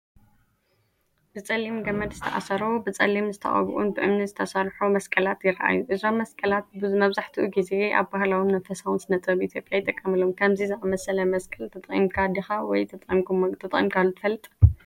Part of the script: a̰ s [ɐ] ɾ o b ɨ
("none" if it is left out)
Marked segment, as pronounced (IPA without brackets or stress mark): ɐ